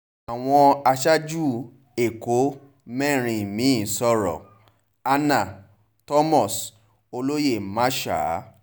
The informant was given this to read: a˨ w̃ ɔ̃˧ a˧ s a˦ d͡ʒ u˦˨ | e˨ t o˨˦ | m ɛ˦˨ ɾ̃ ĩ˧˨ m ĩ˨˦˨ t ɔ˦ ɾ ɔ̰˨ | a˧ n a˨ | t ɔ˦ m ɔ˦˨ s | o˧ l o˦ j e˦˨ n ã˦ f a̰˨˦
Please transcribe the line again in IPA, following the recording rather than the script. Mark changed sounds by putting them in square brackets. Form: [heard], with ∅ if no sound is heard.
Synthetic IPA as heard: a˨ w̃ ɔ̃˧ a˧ [ʃ] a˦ d͡ʒ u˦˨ | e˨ [k] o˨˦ | m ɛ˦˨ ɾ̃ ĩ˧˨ m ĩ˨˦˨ [s] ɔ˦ ɾ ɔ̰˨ | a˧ n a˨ | t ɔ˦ m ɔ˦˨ s | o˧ l o˦ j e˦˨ [m] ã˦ [ʃ] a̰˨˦

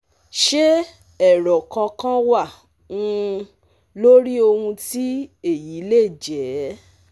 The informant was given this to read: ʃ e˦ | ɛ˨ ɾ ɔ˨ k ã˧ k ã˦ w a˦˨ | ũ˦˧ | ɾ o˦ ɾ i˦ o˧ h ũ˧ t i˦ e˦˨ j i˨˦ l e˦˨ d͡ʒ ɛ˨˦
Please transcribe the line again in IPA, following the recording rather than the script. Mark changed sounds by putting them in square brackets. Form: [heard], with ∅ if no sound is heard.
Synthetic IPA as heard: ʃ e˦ | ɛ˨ ɾ ɔ˨ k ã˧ k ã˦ w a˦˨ | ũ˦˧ | [l] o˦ ɾ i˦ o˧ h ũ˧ t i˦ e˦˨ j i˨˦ l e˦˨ d͡ʒ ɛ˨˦

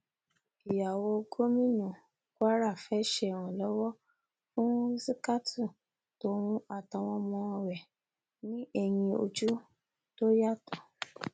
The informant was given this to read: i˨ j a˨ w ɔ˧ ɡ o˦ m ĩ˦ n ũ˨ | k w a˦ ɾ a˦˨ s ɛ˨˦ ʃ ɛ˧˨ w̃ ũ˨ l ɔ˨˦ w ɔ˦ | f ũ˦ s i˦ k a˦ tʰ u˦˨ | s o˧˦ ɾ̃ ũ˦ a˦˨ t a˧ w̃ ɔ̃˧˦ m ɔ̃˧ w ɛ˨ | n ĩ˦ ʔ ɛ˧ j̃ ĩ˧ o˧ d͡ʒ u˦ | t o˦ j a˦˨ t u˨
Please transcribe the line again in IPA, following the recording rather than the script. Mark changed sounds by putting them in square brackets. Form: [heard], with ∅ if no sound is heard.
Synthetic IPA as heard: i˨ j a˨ w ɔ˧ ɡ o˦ m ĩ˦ n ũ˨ | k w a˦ ɾ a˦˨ [f] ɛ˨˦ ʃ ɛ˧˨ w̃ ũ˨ l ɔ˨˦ w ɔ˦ | f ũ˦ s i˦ k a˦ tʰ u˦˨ | [t] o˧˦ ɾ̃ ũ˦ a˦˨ t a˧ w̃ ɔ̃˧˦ m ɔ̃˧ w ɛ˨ | n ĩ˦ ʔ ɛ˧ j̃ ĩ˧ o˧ d͡ʒ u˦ | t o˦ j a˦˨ t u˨

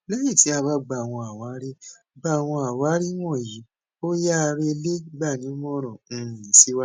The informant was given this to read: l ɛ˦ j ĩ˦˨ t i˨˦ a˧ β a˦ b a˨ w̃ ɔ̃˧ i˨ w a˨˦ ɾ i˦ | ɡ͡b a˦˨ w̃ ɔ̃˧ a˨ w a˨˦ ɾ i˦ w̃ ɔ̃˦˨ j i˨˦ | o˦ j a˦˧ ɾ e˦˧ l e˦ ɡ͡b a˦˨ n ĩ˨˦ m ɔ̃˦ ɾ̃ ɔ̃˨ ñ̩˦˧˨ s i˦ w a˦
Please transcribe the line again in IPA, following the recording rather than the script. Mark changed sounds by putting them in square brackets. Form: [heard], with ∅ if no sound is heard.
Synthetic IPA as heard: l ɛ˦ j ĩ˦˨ t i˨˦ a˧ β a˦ [ɡ͡b] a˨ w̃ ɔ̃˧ [a˨] w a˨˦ ɾ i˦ | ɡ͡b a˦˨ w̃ ɔ̃˧ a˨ w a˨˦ ɾ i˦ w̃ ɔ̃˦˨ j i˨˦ | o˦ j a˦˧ ɾ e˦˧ l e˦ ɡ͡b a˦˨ n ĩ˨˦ m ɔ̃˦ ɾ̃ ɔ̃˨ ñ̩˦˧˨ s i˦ w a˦

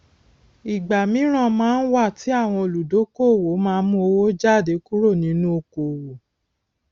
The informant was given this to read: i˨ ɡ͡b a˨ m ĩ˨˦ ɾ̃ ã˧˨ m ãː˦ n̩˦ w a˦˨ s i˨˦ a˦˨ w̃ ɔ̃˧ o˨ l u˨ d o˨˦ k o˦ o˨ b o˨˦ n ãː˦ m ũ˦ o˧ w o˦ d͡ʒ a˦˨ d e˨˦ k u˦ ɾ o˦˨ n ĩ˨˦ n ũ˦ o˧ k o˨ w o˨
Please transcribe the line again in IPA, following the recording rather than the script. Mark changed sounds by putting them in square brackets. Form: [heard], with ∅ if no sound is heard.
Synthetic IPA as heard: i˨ ɡ͡b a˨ m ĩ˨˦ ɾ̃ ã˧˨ m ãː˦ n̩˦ w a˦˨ [t] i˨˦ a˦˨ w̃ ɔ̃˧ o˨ l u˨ d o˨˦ k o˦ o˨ [w] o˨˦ [m] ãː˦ m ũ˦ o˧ w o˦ d͡ʒ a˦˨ d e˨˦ k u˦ ɾ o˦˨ n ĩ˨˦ n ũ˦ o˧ k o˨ w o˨

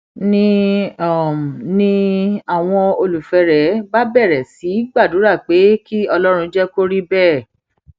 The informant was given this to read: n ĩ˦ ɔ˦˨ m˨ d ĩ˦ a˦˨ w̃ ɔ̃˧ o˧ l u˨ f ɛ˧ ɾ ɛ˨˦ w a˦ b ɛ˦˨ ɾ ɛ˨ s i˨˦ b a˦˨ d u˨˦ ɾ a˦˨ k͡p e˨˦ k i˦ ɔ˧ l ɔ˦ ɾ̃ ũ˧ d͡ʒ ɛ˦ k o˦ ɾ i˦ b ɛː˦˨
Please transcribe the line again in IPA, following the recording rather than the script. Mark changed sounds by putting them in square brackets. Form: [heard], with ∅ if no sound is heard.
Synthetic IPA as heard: n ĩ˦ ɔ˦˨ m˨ [n] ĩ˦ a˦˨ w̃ ɔ̃˧ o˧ l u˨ f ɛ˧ ɾ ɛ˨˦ [b] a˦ b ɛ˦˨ ɾ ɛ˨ s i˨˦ [ɡ͡b] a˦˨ d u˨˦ ɾ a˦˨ k͡p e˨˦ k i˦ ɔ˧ l ɔ˦ ɾ̃ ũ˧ d͡ʒ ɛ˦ k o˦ ɾ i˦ b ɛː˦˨

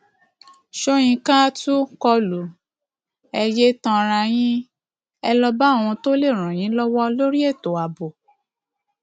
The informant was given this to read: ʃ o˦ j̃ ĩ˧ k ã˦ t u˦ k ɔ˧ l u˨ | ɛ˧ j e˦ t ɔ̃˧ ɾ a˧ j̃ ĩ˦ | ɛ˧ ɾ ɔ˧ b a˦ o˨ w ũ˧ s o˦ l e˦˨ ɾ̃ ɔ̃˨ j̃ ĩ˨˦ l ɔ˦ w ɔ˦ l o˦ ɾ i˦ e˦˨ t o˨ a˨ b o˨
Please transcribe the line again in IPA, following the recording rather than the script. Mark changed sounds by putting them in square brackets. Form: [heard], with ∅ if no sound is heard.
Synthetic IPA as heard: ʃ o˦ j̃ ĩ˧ k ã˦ t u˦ k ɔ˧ l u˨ | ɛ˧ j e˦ t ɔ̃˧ ɾ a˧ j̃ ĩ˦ | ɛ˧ [l] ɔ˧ b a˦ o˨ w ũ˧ [t] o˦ l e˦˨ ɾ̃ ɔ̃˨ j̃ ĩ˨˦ l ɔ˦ w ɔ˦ l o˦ ɾ i˦ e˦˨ t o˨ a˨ b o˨

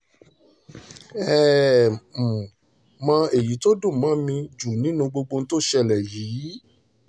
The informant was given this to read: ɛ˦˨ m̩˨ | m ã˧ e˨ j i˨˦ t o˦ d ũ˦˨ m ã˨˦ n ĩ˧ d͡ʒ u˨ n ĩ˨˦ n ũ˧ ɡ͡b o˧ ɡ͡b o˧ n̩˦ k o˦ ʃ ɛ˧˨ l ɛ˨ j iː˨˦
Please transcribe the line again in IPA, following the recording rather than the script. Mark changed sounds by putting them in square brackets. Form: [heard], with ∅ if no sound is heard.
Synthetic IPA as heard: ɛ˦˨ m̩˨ | m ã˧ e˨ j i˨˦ t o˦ d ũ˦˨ m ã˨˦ [m] ĩ˧ d͡ʒ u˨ n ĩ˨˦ n ũ˧ ɡ͡b o˧ ɡ͡b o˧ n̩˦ [t] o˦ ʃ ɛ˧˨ l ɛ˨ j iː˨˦

